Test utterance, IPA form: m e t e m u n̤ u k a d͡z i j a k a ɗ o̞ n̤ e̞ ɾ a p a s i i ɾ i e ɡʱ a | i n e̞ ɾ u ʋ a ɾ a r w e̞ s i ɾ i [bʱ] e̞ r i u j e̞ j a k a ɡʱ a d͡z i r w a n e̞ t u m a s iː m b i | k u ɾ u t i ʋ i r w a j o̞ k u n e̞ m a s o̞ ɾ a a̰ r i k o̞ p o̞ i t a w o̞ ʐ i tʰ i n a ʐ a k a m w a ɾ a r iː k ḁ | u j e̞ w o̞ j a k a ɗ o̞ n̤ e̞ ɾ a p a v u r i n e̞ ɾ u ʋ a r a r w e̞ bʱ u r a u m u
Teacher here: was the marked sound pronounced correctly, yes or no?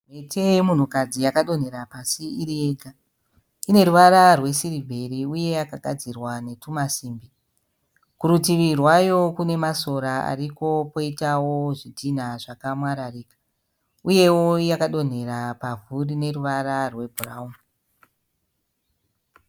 yes